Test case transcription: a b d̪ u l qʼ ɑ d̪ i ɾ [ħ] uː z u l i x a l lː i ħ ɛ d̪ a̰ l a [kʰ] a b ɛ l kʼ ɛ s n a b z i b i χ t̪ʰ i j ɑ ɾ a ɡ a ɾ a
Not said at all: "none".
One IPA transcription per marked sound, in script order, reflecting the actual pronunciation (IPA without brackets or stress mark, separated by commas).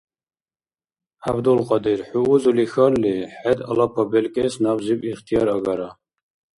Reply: ħ, pʰ